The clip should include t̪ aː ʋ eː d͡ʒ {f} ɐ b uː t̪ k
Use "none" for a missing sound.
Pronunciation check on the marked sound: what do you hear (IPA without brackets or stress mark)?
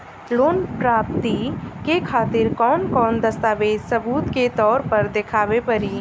s